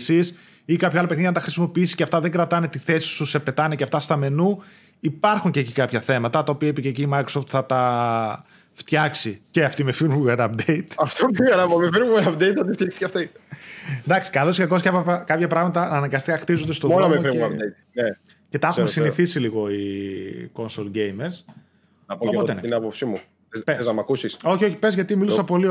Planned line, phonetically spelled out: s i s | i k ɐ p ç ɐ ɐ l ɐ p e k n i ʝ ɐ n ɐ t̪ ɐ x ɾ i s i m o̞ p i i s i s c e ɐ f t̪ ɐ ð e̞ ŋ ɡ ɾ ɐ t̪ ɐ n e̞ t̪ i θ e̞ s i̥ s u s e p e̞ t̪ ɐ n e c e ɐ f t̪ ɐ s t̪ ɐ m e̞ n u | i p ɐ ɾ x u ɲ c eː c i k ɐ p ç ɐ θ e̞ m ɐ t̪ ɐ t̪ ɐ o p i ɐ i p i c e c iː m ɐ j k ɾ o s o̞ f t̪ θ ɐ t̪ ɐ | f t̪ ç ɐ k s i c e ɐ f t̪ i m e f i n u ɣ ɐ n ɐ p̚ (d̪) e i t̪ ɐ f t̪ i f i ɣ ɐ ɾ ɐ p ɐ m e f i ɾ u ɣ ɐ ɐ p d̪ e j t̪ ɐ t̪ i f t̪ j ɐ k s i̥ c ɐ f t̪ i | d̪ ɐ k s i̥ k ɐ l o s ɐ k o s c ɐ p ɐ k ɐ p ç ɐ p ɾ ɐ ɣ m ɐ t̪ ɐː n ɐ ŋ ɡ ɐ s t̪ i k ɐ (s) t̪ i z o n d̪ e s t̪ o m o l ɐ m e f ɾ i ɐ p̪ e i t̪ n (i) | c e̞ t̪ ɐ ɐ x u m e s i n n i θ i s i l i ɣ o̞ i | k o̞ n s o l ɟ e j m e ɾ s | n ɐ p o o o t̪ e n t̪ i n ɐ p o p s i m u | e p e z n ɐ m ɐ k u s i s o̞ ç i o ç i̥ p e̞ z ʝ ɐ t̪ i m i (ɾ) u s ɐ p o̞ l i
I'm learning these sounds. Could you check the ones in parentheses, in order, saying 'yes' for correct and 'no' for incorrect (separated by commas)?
yes, no, no, no